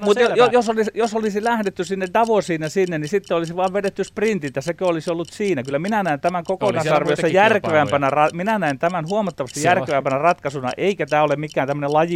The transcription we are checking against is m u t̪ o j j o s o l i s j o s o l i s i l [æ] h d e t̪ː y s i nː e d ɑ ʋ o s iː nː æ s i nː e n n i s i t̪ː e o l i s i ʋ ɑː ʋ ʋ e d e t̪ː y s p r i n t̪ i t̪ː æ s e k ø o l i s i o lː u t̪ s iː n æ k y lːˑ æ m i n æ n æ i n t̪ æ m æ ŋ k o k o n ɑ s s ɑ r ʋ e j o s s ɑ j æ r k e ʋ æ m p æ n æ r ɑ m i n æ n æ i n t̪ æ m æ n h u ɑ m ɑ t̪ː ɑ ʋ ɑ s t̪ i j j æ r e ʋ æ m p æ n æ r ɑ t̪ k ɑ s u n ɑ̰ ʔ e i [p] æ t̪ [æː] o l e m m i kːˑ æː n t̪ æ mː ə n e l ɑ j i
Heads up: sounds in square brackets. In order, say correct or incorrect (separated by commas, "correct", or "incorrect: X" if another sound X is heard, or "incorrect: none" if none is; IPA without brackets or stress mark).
correct, incorrect: k, correct